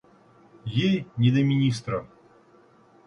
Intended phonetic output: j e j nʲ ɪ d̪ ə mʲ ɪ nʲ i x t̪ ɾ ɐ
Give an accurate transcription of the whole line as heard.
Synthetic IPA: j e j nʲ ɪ d̪ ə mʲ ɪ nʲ i s t̪ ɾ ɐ